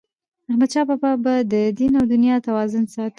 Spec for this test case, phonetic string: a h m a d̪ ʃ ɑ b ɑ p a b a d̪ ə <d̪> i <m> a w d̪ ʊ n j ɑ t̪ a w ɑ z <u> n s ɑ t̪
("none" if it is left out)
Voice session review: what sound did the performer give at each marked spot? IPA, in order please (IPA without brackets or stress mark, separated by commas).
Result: d̪, n, ʊ